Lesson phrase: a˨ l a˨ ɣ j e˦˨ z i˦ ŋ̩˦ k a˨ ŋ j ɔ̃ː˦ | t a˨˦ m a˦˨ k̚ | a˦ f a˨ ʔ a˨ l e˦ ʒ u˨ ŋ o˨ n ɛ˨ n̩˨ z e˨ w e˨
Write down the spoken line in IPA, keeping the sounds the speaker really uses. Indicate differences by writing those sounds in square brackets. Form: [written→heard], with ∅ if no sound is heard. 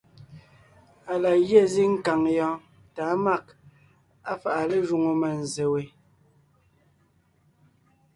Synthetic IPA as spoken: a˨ l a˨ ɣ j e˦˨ z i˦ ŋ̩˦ k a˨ ŋ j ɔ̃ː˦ | t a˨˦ m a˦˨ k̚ | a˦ f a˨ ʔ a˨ l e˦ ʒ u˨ ŋ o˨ [n→m] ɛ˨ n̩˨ z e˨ w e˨

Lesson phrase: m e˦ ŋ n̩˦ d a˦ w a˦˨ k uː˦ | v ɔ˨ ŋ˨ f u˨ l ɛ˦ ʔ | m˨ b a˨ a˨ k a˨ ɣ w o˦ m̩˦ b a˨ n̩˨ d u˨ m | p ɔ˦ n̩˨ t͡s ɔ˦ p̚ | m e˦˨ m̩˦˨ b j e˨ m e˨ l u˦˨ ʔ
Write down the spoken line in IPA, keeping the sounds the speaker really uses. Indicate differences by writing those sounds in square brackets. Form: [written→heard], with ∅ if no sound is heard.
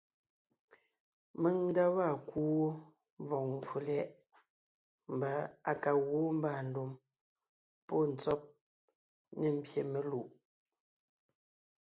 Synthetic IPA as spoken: m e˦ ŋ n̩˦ d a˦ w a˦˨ k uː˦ | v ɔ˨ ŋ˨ f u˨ l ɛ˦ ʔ | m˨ b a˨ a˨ k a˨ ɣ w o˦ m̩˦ b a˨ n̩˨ d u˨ m | p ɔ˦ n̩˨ t͡s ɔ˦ p̚ | [m→n] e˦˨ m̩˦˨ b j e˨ m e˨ l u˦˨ ʔ

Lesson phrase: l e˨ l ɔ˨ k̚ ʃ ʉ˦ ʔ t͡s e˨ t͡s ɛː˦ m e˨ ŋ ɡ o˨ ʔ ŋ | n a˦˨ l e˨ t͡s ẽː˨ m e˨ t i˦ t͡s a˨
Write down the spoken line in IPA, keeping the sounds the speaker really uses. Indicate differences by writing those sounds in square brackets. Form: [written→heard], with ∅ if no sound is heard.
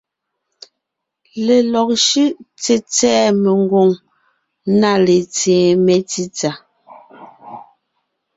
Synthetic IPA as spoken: l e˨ l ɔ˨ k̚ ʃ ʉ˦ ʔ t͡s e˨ t͡s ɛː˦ m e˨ ŋ ɡ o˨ [ʔ→∅] ŋ | n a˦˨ l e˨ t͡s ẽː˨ m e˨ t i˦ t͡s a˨

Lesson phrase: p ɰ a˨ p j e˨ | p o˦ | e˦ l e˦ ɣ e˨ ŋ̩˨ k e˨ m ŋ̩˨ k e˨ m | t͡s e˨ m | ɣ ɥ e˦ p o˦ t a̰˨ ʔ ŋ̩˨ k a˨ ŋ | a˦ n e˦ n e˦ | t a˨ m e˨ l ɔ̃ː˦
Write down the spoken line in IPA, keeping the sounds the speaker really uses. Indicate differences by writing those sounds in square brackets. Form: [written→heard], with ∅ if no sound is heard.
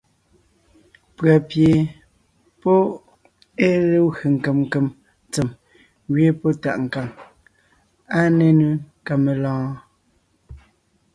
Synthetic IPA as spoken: p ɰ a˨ p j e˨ | p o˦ | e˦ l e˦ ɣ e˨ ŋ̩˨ k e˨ m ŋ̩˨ k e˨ m | t͡s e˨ m | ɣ ɥ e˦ p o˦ t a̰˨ ʔ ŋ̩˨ k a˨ ŋ | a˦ n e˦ n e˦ | [t→k] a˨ m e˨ l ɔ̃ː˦

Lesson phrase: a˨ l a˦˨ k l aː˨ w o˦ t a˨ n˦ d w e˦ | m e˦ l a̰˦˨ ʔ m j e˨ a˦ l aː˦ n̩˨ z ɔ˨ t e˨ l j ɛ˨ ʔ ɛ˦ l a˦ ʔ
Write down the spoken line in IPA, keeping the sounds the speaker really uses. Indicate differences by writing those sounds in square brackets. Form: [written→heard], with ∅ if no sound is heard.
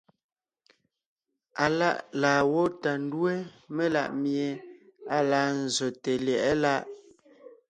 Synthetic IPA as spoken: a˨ l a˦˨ [k→ʔ] l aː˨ w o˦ t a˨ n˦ d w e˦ | m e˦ l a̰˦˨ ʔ m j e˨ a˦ l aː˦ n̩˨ z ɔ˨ t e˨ l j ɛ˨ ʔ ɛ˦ l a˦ ʔ

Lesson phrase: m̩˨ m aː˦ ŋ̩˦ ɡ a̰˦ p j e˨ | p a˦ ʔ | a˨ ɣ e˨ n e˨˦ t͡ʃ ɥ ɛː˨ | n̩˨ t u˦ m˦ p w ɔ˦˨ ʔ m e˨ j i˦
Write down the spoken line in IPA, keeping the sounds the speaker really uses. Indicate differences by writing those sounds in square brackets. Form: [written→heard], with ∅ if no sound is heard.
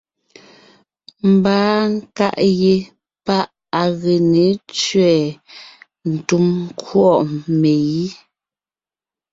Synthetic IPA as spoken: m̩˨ [m→b] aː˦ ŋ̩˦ [ɡ→k] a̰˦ [p→ʔ] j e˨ | p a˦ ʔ | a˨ ɣ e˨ n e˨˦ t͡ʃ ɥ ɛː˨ | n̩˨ t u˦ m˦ [p→k] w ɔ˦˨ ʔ m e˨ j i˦

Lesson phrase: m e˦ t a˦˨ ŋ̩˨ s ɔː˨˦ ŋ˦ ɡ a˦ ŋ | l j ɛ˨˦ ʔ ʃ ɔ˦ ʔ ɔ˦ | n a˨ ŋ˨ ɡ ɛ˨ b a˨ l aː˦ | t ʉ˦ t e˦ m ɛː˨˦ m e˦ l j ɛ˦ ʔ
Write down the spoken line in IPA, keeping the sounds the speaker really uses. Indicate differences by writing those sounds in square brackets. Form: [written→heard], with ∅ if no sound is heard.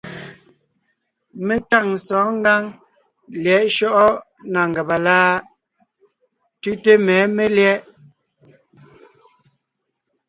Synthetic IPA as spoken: m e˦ t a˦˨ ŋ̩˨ s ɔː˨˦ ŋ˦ ɡ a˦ ŋ | l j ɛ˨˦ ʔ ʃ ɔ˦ ʔ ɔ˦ | n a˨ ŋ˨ ɡ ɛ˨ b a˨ l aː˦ | t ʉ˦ t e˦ m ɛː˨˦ m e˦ l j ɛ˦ ʔ

